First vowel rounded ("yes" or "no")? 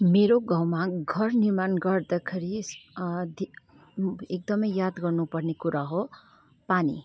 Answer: no